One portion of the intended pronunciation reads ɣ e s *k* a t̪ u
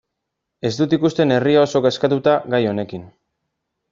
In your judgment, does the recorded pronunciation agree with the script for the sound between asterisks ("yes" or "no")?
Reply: yes